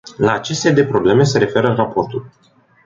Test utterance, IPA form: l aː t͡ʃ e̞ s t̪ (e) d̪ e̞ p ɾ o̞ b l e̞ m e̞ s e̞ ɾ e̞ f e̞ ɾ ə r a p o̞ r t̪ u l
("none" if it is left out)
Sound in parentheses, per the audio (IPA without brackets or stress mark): e